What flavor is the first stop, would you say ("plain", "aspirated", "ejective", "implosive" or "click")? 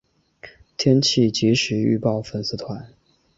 aspirated